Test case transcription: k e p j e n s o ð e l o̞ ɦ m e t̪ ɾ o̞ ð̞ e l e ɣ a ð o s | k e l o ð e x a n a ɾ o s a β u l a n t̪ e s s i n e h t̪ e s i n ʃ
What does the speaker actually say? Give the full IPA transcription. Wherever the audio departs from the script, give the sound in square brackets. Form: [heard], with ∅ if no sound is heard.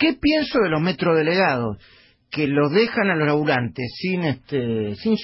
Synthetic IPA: k e p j e n s o ð e l o̞ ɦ m e t̪ ɾ o̞ ð̞ e l e ɣ a ð o s | k e l o ð e x a n a [l] o s a β u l a n t̪ e s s i n e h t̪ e s i n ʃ